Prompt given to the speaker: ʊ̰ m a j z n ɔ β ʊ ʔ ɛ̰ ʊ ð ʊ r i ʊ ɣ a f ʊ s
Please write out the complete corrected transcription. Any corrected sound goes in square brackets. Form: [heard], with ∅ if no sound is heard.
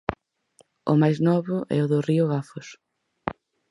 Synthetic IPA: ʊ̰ m a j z n ɔ β ʊ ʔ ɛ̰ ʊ ð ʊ r i ʊ ɣ a f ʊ s